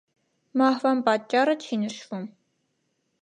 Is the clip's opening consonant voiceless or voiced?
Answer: voiced